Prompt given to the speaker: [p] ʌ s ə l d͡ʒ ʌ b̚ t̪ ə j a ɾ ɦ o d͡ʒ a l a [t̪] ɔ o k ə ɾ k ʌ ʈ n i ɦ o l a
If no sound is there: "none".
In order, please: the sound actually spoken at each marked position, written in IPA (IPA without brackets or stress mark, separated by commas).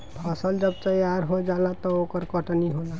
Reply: pʰ, t̪